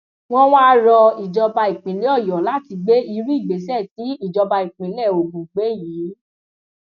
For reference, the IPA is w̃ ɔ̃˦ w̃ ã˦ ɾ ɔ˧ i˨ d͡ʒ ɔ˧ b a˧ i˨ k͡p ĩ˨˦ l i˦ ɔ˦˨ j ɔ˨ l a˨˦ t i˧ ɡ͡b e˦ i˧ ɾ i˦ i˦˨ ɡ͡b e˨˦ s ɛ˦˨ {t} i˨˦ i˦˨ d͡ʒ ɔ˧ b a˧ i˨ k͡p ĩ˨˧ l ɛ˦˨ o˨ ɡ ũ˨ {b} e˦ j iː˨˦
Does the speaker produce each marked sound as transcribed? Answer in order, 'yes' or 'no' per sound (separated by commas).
yes, no